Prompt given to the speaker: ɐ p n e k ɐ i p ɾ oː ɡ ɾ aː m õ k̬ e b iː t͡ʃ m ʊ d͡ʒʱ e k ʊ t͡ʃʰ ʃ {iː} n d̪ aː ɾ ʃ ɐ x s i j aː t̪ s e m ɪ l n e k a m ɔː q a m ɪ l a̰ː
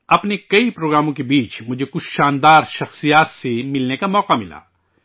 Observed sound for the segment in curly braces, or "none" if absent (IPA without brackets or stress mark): aː